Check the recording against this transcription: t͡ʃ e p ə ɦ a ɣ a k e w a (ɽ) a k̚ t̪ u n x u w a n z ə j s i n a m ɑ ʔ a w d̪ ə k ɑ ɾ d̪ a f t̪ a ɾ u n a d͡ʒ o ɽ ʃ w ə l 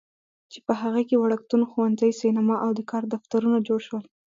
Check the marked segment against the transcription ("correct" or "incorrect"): correct